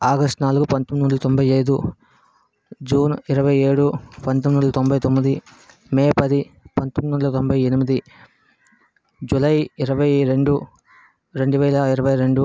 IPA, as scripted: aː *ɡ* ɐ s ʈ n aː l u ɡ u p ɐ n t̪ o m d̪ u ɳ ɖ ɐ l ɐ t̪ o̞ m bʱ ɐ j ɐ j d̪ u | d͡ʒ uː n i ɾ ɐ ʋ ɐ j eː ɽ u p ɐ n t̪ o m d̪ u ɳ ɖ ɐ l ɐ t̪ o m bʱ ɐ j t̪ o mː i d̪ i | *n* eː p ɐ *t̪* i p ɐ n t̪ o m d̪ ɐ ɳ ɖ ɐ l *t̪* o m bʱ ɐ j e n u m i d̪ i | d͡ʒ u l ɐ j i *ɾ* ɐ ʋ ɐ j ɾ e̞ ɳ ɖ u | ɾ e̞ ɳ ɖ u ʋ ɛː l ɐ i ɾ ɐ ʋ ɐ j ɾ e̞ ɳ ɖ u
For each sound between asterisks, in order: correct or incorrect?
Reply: correct, incorrect, incorrect, correct, correct

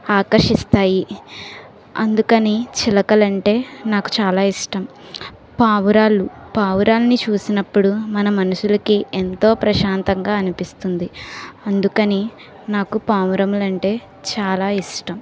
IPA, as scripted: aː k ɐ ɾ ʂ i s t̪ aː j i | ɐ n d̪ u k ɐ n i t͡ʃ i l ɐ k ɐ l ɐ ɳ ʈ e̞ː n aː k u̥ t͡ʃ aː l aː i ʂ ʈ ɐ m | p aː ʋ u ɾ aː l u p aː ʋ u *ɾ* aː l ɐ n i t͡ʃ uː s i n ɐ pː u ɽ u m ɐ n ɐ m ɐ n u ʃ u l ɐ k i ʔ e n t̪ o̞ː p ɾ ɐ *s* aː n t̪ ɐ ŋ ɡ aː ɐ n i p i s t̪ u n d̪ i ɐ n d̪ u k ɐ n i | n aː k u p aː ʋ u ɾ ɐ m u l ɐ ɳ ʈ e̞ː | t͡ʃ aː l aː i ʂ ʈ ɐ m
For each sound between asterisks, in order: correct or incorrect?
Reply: correct, incorrect

